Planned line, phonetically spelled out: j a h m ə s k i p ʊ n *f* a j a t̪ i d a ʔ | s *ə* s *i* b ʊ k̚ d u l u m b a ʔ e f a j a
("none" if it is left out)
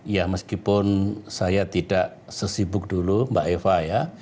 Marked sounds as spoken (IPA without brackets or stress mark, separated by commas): s, ə, i